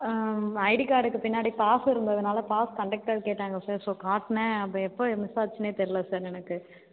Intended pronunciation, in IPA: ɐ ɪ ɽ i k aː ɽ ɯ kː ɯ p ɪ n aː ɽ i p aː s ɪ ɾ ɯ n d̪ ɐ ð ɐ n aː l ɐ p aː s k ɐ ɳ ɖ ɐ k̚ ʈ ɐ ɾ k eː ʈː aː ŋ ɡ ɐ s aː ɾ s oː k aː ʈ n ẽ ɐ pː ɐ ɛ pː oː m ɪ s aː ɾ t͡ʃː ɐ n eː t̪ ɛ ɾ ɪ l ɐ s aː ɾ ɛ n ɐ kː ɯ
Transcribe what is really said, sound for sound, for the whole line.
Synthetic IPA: ɐ ɪ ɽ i k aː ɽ ɯ kː ɯ p ɪ nː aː ɽ i p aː s ɪ ɾ ɯ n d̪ ɐ ð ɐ n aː l ɐ p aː s k ɐ ɳ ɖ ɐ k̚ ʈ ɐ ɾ k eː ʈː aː ŋ ɡ ɐ s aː ɾ s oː k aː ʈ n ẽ ɐ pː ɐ ɛ pː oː m ɪ s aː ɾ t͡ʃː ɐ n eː t̪ ɛ ɾ ɪ l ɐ s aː ɾ ɛ n ɐ kː ɯ